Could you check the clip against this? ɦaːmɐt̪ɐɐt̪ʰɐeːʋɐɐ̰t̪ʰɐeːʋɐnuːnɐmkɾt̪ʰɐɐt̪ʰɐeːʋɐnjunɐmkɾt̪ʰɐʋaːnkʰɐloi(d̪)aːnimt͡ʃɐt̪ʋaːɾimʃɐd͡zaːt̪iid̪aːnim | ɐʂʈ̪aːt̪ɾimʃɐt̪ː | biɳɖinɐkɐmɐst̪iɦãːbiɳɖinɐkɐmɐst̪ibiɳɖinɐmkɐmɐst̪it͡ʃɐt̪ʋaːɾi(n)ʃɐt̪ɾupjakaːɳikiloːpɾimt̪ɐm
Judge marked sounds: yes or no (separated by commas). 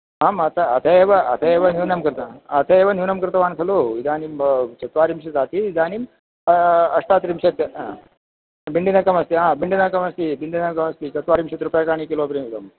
yes, no